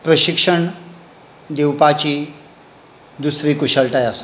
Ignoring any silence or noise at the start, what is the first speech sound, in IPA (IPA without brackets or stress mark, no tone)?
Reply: p